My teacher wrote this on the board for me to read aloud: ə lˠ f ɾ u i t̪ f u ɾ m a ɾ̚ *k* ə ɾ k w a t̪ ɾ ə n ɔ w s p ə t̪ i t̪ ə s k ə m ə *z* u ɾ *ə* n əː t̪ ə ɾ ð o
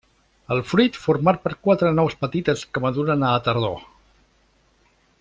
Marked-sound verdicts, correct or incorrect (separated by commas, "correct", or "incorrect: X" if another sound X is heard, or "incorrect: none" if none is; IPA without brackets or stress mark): incorrect: p, incorrect: ð, correct